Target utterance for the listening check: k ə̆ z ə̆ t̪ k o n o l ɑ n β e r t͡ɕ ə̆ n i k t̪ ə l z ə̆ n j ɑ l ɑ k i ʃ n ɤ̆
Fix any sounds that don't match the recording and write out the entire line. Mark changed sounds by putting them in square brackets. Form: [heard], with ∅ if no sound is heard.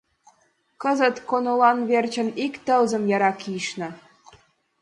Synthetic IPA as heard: k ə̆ z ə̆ t̪ k o n o l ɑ n β e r t͡ɕ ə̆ n i k t̪ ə l z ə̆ [m] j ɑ [ɾ] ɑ k i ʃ n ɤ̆